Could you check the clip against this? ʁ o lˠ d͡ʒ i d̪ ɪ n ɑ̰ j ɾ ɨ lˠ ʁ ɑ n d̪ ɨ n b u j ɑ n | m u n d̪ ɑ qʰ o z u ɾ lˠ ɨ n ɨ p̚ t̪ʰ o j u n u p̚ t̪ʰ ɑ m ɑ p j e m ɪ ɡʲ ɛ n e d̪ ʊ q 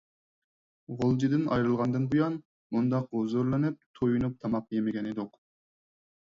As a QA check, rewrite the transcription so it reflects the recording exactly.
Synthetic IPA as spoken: ʁ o lˠ d͡ʒ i d̪ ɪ n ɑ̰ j ɾ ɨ lˠ ʁ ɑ n d̪ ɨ n b u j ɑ n | m u n d̪ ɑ q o z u ɾ lˠ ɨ n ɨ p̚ t̪ʰ o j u n u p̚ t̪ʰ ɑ m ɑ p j e m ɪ ɡʲ ɛ n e d̪ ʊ q